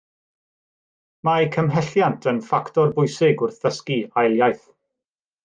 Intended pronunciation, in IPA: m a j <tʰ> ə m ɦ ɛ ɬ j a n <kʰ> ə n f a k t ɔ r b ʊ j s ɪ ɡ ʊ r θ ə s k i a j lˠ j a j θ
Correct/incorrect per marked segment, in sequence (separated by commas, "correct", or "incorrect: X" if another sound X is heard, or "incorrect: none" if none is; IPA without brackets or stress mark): incorrect: kʰ, incorrect: tʰ